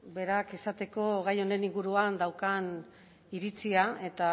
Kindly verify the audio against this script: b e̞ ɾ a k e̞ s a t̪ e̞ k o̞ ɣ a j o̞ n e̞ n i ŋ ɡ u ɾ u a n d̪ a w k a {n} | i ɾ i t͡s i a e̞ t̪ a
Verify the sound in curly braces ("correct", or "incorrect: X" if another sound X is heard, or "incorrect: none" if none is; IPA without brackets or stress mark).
correct